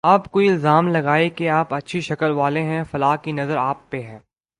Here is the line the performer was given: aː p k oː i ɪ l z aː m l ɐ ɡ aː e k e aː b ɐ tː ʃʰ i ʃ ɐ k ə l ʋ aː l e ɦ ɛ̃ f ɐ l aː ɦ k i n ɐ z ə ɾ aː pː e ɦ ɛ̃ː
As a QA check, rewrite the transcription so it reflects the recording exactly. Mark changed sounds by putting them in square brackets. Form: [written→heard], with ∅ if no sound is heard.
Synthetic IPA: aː p k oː i ɪ l z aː m l ɐ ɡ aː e k e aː [b→p] ɐ tː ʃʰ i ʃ ɐ k ə l ʋ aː l e ɦ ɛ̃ f ɐ l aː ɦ k i n ɐ z ə ɾ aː pː e ɦ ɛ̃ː

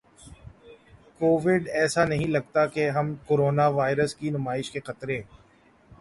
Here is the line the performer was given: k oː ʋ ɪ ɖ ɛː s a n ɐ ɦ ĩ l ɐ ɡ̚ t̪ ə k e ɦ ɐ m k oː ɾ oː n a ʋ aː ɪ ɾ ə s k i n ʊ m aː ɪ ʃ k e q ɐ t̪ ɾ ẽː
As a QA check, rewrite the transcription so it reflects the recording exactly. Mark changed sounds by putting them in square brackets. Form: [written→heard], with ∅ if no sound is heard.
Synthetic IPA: k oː ʋ ɪ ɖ ɛː s a n ɐ ɦ ĩ l ɐ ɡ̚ t̪ [ə→a] k e ɦ ɐ m k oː ɾ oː n a ʋ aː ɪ ɾ ə s k i n ʊ m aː ɪ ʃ k e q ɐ t̪ ɾ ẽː

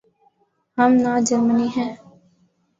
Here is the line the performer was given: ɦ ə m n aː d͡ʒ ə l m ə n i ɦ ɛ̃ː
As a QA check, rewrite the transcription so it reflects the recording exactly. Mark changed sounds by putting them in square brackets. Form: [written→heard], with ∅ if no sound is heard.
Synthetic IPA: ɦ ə m n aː d͡ʒ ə [l→ɾ] m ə n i ɦ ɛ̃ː

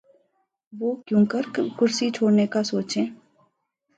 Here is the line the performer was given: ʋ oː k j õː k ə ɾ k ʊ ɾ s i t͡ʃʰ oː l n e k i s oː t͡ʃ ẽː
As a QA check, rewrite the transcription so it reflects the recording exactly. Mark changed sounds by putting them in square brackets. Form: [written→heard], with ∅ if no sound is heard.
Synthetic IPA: ʋ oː k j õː k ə ɾ k ʊ ɾ s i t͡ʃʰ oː [l→ɽ] n e k [i→a] s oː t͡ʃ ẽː

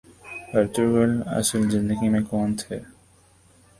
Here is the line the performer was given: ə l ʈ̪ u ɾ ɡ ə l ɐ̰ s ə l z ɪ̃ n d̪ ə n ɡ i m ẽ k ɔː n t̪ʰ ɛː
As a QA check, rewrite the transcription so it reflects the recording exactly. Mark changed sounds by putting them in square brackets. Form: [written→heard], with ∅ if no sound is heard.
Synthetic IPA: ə [l→ɾ] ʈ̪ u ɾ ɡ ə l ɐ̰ s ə l z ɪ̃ n d̪ ə [n→∅] ɡ i m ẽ k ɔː n t̪ʰ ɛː

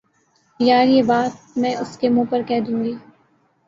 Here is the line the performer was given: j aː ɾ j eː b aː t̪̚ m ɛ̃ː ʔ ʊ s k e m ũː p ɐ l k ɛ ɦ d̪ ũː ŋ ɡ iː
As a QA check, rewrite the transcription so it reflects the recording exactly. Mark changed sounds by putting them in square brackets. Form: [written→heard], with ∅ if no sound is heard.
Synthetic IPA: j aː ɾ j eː b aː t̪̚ m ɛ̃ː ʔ ʊ s k e m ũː p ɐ [l→ɾ] k ɛ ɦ d̪ ũː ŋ ɡ iː

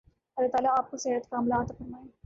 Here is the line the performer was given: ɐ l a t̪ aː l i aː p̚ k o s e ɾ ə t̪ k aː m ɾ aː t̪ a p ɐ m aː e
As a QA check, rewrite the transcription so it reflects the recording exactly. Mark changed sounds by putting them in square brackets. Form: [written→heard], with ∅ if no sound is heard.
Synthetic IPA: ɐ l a t̪ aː l [i→a] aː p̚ k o s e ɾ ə t̪ k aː m [ɾ→l] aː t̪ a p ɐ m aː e

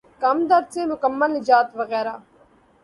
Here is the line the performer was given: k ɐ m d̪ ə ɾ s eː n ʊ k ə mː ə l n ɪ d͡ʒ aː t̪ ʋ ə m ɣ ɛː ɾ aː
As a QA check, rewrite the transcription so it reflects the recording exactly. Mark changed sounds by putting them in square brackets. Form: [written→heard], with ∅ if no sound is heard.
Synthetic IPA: k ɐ m d̪ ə ɾ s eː [n→m] ʊ k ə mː ə l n ɪ d͡ʒ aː t̪ ʋ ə [m→∅] ɣ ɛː ɾ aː

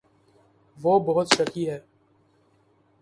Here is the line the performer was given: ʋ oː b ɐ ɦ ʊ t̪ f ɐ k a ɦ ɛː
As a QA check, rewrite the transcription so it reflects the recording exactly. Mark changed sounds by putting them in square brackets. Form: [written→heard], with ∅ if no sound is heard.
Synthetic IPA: ʋ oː b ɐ ɦ ʊ t̪ [f→ʃ] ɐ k [a→i] ɦ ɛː

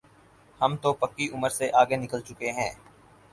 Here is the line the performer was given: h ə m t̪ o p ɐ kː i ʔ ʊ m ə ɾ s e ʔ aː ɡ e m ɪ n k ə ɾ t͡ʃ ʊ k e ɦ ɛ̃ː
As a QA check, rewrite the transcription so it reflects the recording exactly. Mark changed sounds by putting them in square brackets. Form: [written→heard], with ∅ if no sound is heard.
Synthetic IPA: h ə m t̪ o p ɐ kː i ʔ ʊ m ə ɾ s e ʔ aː ɡ e [m→n] ɪ [n→∅] k ə [ɾ→l] t͡ʃ ʊ k e ɦ ɛ̃ː

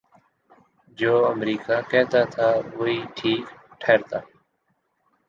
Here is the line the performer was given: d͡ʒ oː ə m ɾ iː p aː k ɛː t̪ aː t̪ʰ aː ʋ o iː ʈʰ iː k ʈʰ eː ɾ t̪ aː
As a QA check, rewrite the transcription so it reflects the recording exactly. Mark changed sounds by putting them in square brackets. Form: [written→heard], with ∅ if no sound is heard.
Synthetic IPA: d͡ʒ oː ə m ɾ iː [p→k] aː k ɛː t̪ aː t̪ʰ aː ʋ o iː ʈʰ iː k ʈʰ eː ɾ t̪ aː

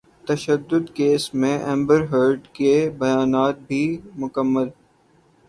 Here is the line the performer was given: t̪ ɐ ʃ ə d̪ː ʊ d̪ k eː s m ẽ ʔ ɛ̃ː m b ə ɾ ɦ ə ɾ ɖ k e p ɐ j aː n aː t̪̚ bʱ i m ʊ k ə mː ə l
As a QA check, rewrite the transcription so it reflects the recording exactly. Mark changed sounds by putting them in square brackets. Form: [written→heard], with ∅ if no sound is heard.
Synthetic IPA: t̪ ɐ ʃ ə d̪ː ʊ d̪ k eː s m ẽ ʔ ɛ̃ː m b ə ɾ ɦ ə ɾ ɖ k e [p→b] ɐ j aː n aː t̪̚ bʱ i m ʊ k ə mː ə l

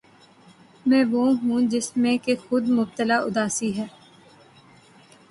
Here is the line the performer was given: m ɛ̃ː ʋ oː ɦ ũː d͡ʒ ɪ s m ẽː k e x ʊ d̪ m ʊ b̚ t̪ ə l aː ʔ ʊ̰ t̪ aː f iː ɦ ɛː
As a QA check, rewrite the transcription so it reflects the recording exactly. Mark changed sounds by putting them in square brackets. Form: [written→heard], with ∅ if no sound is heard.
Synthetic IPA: m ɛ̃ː ʋ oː ɦ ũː d͡ʒ ɪ s m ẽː k e x ʊ d̪ m ʊ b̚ t̪ ə l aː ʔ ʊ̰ [t̪→d̪] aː [f→s] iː ɦ ɛː

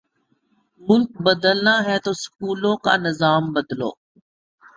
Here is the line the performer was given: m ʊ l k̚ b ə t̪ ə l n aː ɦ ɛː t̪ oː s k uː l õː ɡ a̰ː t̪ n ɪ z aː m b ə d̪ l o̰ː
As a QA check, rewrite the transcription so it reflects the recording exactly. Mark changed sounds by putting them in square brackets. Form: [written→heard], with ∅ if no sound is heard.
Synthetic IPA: m ʊ l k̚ b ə [t̪→d̪] ə l n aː ɦ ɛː t̪ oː s k uː l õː [ɡ→k] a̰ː [t̪→∅] n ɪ z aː m b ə d̪ l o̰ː

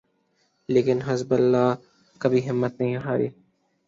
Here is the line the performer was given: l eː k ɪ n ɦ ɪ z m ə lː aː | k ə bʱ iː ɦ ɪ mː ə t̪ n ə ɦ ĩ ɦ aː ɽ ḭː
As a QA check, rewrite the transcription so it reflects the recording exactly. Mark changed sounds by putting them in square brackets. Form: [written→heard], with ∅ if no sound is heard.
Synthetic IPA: l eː k ɪ n ɦ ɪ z [m→b] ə lː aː | k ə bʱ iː ɦ ɪ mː ə t̪ n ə ɦ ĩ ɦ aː [ɽ→ɾ] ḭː

